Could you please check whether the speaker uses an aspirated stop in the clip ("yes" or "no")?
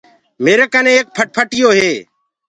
yes